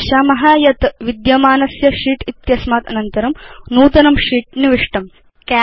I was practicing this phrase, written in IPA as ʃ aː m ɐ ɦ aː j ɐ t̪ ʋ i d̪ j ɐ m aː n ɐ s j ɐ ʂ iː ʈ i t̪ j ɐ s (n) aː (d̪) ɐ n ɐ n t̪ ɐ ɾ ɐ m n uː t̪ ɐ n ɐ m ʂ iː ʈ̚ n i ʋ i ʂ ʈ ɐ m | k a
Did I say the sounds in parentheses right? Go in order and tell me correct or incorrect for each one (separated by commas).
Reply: incorrect, incorrect